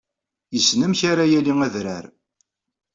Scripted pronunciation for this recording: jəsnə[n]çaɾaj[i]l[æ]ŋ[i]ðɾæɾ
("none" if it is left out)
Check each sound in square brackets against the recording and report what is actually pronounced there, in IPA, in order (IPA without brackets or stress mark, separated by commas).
m, æ, i, æ